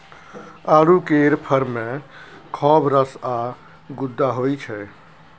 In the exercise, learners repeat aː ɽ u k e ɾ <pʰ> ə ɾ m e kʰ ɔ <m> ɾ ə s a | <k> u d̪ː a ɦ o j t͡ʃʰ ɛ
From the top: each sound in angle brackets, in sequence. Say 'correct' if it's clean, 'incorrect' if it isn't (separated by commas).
correct, incorrect, incorrect